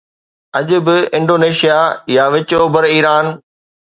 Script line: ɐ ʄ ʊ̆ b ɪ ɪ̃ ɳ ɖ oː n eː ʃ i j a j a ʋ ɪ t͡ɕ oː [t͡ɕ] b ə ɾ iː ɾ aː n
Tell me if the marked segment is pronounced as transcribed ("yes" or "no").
no